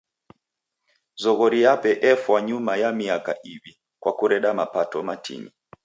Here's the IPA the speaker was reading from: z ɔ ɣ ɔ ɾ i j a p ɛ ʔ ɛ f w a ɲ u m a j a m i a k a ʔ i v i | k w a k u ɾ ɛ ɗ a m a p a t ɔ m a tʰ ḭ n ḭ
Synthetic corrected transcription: z ɔ ɣ ɔ ɾ i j a p ɛ ʔ ɛ f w a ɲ u m a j a m i a k a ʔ i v i | k w a k u ɾ ɛ ɗ a m a p a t ɔ m a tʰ ḭ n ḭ

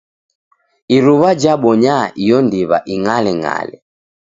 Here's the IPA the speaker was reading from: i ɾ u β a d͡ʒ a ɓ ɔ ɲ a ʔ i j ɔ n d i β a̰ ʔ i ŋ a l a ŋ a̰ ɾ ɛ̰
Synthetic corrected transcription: i ɾ u β a d͡ʒ a ɓ ɔ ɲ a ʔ i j ɔ n d i β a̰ ʔ i ŋ a l ɛ ŋ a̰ l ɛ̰

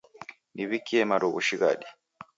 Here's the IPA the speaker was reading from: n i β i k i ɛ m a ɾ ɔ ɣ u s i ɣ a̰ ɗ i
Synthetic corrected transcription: n i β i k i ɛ m a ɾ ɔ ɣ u ʃ i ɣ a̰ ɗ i

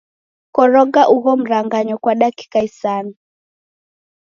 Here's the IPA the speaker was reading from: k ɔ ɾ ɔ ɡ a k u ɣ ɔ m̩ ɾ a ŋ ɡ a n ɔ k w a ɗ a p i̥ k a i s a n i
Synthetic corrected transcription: k ɔ ɾ ɔ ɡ a ʔ u ɣ ɔ m̩ ɾ a ŋ ɡ a ɲ ɔ k w a ɗ a k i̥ k a i s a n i

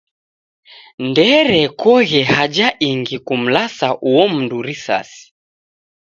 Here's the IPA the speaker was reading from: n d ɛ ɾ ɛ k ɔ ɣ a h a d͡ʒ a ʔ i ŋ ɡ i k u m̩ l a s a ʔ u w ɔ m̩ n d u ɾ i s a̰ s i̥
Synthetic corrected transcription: n d ɛ ɾ ɛ k ɔ ɣ ɛ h a d͡ʒ a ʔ i ŋ ɡ i k u m̩ l a s a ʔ u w ɔ m̩ n d u ɾ i s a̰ s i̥

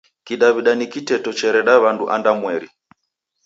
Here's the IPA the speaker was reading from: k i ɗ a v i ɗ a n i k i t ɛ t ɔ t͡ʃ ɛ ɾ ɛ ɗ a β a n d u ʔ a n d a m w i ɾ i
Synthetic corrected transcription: k i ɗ a β i ɗ a n i k i t ɛ t ɔ t͡ʃ ɛ ɾ ɛ ɗ a β a n d u ʔ a n d a m w ɛ ɾ i

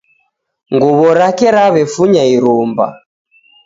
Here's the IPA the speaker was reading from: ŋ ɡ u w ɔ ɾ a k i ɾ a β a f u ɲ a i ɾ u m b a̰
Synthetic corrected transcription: ŋ ɡ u β ɔ ɾ a k ɛ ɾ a β ɛ f u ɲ a i ɾ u m b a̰

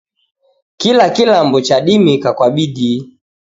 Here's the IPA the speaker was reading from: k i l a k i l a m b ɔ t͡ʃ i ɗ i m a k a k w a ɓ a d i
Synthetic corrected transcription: k i l a k i l a m b ɔ t͡ʃ a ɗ i m i k a k w a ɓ i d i

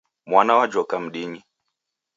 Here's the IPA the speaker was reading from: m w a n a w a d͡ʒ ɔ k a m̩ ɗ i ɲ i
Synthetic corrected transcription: m w a n a w a d͡ʒ ɔ k a m̩ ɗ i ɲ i

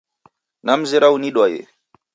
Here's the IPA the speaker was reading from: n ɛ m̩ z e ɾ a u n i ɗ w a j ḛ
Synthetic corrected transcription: n a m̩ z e ɾ a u n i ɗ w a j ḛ

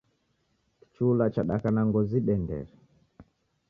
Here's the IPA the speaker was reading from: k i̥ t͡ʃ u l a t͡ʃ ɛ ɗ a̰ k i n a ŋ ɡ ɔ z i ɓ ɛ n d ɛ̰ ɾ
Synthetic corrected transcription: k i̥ t͡ʃ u l a t͡ʃ a ɗ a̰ k a n a ŋ ɡ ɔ z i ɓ ɛ n d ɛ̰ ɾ

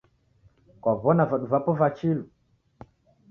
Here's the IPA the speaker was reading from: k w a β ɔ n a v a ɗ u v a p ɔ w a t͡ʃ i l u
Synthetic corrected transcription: k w a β ɔ n a v a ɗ u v a p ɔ v a t͡ʃ i l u

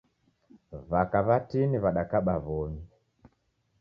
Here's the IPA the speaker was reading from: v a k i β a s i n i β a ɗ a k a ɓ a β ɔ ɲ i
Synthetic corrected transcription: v a k a β a t i n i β a ɗ a k a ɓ a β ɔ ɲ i

